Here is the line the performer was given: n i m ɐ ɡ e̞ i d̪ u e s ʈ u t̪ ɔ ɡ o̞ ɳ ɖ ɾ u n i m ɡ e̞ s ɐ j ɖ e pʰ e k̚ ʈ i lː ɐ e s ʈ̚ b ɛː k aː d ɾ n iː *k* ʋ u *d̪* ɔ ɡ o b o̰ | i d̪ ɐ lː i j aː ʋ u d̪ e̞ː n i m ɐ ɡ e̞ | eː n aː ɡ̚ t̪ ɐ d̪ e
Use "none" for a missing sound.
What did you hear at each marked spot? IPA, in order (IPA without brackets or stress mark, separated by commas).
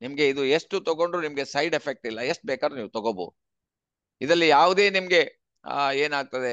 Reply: none, t̪